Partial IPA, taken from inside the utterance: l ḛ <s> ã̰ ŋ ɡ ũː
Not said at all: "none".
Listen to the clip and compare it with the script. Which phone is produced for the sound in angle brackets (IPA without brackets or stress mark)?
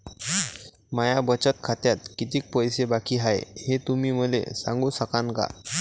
s